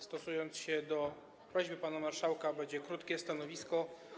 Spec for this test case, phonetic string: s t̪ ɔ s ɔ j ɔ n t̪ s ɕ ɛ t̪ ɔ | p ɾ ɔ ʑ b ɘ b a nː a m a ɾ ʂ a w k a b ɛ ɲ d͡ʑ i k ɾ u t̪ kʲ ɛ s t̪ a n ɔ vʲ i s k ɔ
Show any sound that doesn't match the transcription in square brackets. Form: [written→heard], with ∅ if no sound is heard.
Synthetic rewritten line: s t̪ ɔ s [ɔ→u] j ɔ n t̪ s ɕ ɛ [t̪→d̪] ɔ | p ɾ ɔ ʑ b ɘ [b→p] a [nː→n] a m a ɾ ʂ a w k a b ɛ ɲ d͡ʑ [i→ɛ] k ɾ u t̪ kʲ ɛ s t̪ a n ɔ vʲ i s k ɔ